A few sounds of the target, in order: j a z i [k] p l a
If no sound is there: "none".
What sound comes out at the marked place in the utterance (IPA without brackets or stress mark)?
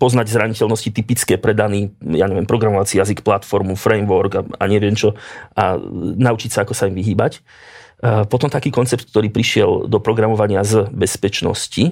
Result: k